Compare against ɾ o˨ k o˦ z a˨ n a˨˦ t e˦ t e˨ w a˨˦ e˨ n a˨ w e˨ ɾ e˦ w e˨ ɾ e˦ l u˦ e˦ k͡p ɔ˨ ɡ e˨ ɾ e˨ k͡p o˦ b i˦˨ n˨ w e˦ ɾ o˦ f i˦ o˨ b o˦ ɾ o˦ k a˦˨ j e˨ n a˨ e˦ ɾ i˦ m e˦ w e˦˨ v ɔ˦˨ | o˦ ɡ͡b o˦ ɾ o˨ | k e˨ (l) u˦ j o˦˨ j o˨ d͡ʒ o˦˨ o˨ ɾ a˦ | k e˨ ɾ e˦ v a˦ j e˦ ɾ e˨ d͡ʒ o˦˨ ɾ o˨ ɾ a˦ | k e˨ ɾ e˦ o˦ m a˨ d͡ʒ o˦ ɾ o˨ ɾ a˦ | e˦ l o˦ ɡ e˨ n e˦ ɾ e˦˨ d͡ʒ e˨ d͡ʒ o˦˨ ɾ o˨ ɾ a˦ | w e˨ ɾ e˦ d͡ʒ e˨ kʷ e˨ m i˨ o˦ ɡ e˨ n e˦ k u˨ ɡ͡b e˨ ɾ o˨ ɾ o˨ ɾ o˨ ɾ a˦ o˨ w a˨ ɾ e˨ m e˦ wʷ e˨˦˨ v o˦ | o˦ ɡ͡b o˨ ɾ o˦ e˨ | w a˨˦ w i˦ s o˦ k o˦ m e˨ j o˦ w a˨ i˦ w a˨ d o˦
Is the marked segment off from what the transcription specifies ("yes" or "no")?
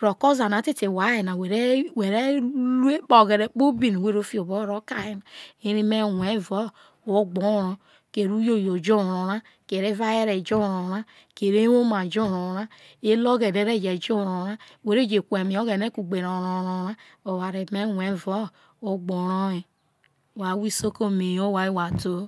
yes